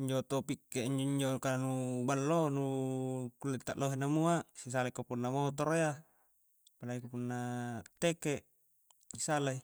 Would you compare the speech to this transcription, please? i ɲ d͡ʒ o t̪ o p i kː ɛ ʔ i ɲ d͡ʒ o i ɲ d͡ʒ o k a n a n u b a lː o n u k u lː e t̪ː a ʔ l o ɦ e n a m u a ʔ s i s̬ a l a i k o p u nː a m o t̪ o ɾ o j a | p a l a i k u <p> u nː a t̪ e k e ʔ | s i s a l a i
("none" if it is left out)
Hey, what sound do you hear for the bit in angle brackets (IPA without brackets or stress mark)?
p